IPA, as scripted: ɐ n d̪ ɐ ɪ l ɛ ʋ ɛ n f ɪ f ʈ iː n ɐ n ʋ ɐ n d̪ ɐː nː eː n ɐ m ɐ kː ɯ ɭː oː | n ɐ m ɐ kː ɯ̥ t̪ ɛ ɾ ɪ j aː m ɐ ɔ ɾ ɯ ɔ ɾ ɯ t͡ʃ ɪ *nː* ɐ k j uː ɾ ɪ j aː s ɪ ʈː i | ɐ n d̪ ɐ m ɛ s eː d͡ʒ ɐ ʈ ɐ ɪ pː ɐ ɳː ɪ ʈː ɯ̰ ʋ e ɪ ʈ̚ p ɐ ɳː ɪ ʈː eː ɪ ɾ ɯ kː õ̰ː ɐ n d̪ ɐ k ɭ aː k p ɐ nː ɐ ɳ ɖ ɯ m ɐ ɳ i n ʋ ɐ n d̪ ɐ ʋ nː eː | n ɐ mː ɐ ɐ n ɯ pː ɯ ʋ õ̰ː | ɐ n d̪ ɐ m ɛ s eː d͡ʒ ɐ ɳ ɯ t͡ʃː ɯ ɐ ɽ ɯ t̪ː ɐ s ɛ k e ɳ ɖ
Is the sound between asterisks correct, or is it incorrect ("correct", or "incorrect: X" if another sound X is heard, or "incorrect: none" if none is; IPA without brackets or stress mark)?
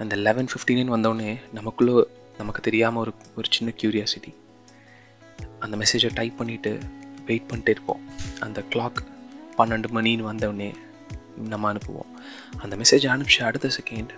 correct